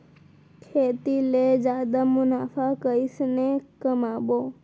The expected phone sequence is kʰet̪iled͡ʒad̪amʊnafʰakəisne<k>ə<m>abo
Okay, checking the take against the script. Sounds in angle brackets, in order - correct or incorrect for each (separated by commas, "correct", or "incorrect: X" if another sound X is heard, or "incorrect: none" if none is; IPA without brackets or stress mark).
correct, correct